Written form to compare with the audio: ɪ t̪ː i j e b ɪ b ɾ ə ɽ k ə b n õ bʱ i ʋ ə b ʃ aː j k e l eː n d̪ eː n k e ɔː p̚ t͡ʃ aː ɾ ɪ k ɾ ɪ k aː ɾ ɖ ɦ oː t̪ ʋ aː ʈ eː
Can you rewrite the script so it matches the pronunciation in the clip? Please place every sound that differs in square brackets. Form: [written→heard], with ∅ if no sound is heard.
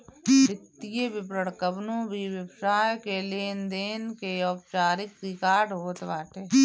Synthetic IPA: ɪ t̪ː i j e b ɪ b ɾ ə ɽ k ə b n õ bʱ i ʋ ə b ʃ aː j k e l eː n d̪ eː n k e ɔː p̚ t͡ʃ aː ɾ ɪ k ɾ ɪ k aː ɾ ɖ ɦ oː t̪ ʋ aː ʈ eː